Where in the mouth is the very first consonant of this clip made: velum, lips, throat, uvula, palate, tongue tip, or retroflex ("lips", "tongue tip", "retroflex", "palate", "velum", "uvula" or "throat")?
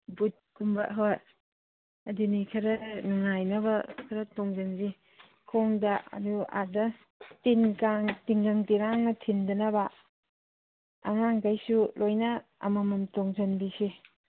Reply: lips